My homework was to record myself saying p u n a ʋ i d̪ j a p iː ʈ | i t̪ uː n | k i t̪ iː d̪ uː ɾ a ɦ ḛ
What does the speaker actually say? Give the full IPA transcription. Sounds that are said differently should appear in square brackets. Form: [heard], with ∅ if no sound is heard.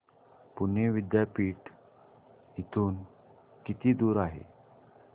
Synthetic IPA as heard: p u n [e] ʋ i d̪ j a p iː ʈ | i t̪ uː n | k i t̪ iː d̪ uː ɾ a ɦ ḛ